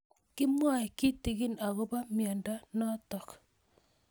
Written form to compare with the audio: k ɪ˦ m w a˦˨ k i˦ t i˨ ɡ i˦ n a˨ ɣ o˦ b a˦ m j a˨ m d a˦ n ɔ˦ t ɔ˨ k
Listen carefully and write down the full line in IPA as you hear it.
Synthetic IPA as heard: k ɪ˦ m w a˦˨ k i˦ t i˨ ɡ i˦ n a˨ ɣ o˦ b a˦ m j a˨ n d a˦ n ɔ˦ t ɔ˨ k

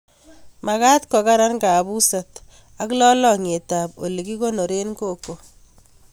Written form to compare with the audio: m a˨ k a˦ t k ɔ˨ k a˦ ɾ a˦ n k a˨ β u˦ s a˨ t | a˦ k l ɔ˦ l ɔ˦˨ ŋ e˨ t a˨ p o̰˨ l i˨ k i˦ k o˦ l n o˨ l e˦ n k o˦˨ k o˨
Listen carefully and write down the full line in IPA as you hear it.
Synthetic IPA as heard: m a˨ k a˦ t k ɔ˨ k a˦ ɾ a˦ n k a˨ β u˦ s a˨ t | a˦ k l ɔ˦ l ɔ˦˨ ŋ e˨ t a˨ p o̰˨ l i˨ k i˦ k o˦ n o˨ ɾ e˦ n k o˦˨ k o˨

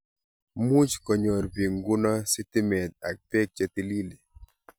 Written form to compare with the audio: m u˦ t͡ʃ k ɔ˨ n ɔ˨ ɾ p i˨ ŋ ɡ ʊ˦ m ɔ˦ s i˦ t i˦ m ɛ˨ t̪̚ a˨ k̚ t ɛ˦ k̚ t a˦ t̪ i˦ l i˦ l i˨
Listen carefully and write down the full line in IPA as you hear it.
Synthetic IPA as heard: m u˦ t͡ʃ k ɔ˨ ɲ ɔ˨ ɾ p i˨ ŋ ɡ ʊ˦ n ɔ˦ s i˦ t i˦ m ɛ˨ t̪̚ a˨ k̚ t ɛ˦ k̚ t͡ʃ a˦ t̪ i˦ l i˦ l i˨

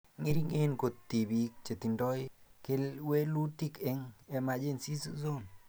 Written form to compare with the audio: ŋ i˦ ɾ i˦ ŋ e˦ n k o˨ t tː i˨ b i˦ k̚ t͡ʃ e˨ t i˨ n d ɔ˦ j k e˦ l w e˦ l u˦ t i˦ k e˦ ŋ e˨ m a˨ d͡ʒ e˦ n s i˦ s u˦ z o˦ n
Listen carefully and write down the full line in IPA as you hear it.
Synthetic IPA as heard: ŋ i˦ ɾ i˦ ŋ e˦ n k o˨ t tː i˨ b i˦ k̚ t͡ʃ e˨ t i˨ n d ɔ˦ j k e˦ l w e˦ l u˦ t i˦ k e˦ ŋ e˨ m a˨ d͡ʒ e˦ n s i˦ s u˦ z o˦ n

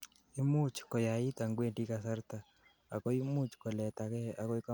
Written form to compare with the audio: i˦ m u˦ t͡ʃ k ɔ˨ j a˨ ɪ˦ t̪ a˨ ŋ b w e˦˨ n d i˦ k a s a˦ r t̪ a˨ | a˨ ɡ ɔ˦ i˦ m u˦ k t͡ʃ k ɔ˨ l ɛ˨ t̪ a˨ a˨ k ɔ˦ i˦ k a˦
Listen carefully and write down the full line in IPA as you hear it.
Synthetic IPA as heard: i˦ m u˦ t͡ʃ k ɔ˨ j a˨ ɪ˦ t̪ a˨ ŋ ɡ w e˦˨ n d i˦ k a s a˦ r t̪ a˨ | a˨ k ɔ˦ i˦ m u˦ t͡ʃ k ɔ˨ l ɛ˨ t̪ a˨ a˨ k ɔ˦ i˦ k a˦

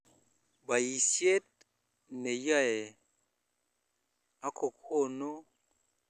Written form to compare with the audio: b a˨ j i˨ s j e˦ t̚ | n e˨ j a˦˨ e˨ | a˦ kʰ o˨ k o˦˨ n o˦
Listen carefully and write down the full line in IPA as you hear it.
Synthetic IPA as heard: b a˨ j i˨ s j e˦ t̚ | n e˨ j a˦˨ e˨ | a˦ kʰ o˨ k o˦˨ n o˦

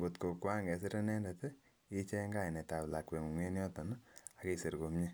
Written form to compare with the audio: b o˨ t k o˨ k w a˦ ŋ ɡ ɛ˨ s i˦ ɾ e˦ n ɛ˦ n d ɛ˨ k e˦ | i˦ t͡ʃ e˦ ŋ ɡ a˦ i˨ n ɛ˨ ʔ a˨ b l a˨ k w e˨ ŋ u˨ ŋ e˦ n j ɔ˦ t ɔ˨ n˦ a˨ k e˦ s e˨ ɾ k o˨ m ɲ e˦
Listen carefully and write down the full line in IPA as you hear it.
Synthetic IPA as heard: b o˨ t k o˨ k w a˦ ŋ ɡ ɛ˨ s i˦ ɾ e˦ n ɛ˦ n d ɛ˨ t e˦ | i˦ t͡ʃ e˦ ŋ ɡ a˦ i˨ n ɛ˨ t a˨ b l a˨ k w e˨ ŋ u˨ ŋ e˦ n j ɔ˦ t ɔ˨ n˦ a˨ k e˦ s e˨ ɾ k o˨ m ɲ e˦

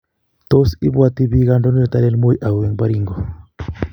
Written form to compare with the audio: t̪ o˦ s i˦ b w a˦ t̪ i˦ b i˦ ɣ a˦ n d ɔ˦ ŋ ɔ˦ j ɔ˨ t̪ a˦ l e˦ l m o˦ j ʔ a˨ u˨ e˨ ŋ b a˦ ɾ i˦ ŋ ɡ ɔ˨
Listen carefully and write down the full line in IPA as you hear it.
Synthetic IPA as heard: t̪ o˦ s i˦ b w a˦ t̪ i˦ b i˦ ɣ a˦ n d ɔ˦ n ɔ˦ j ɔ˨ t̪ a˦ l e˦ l m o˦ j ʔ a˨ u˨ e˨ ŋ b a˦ ɾ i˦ ŋ ɡ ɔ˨

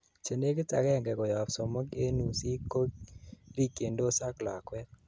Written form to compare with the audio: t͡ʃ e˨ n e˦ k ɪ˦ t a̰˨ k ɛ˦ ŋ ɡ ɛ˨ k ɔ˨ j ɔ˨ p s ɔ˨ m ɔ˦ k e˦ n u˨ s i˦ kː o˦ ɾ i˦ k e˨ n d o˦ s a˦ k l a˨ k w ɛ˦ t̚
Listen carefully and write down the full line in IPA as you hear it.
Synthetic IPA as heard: t͡ʃ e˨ n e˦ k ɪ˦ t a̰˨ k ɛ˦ ŋ ɡ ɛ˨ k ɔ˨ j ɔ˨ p s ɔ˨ m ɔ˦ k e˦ n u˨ s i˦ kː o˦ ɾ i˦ k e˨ n d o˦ s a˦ k l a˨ k w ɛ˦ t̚

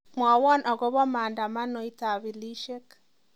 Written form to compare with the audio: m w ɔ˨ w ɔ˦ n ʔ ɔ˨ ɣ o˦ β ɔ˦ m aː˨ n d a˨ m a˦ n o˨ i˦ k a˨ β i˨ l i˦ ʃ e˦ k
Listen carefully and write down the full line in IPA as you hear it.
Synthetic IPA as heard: m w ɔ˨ w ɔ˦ n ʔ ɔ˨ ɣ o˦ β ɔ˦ m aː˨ n d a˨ m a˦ n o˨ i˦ t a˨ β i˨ l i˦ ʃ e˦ k

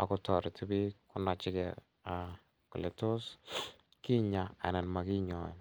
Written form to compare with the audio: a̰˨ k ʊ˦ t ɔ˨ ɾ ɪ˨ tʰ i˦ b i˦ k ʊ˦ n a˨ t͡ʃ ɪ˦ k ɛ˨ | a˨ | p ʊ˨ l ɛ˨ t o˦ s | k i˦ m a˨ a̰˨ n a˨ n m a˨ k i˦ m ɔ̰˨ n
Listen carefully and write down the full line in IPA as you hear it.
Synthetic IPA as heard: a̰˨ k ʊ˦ t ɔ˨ ɾ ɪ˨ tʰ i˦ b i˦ k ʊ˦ n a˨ t͡ʃ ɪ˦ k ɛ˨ | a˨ | k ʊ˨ l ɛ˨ t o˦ s | k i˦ ɲ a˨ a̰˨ n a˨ n m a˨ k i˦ ɲ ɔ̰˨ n

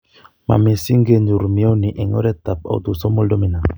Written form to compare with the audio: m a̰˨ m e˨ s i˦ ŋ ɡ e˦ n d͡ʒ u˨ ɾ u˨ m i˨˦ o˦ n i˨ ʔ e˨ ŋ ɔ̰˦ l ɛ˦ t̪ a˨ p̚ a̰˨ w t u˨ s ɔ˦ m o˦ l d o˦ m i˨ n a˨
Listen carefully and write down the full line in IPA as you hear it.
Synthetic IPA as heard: m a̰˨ m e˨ s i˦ ŋ ɡ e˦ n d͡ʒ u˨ ɾ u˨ m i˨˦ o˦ n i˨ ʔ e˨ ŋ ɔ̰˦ ɾ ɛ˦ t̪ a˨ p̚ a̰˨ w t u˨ s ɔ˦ m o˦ l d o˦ m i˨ n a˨

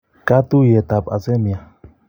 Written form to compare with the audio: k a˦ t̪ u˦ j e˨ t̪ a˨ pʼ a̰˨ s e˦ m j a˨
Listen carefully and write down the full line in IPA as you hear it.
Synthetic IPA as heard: k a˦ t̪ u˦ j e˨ t̪ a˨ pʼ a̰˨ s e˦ m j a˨

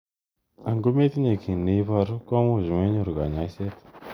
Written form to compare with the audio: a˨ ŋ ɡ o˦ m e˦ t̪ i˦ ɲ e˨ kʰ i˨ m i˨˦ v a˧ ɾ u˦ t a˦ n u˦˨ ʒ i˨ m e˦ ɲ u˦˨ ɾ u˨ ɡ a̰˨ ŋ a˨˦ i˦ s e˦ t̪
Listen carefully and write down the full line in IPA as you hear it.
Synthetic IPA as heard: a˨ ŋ ɡ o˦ m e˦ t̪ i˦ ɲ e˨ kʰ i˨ n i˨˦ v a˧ ɾ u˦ k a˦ m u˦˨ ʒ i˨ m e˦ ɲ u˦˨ ɾ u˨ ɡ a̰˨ ɲ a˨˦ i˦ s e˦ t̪

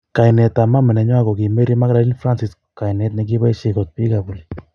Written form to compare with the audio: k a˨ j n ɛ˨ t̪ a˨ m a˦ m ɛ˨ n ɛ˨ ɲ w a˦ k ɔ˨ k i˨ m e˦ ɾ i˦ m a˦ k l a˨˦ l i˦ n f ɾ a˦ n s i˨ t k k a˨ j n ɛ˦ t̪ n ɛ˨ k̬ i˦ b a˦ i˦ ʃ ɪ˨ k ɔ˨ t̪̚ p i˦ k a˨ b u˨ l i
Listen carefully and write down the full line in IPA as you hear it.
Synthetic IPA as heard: k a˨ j n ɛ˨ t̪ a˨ m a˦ m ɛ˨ n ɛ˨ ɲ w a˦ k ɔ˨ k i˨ m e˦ ɾ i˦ m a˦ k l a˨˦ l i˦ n f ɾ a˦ n s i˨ s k k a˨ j n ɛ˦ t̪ n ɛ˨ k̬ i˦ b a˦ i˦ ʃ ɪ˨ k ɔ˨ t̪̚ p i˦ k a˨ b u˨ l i

